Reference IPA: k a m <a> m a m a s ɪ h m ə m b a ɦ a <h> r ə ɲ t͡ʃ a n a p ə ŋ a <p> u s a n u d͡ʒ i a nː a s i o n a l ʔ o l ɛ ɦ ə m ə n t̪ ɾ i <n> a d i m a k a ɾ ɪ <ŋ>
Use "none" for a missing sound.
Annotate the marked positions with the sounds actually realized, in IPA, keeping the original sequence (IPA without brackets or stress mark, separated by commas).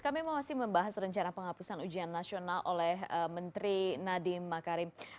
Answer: i, s, p, n, m